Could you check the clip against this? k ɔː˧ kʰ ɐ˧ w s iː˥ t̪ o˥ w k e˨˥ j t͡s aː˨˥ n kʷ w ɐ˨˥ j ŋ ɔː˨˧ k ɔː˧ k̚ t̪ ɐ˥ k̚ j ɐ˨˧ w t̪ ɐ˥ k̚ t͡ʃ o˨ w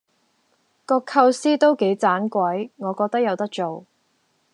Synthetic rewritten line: k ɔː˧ kʰ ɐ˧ w s iː˥ t̪ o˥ w k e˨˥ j t͡s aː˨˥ n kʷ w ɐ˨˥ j ŋ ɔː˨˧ k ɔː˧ k̚ t̪ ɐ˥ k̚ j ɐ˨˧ w t̪ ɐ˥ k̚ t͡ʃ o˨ w